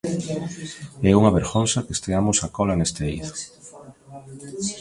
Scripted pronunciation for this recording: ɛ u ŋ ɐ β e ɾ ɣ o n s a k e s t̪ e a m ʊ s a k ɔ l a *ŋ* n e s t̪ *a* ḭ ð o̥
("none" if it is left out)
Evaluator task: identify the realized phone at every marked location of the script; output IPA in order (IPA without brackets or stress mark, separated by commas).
none, e